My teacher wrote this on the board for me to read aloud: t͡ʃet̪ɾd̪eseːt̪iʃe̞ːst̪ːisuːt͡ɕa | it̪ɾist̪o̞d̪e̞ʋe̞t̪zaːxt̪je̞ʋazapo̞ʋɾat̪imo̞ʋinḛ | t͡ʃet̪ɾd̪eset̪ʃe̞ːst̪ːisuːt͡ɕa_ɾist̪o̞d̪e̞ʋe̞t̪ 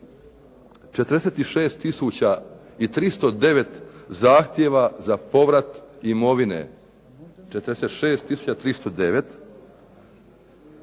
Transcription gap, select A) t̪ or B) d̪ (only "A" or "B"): A